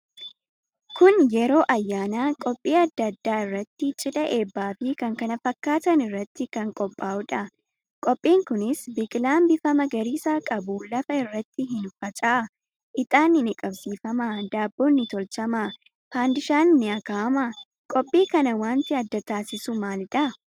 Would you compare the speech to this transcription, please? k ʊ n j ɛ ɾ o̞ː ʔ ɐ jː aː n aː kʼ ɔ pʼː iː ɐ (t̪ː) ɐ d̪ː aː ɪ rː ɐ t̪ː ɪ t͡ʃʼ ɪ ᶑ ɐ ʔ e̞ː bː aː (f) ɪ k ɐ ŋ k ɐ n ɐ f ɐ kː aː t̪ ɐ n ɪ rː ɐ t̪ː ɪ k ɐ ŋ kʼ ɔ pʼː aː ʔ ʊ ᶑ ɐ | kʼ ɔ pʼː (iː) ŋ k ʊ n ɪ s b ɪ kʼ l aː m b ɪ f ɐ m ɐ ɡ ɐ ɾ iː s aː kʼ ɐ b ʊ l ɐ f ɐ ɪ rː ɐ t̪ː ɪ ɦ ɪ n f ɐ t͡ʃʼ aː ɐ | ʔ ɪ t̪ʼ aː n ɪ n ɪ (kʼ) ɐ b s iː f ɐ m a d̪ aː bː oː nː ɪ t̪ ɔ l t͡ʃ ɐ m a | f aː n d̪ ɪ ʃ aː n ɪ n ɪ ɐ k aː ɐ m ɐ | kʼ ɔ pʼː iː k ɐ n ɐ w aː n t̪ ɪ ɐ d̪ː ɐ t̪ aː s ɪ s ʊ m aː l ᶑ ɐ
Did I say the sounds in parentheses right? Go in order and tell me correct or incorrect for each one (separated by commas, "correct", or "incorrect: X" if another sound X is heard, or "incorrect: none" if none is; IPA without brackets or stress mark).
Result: incorrect: d̪ː, correct, correct, correct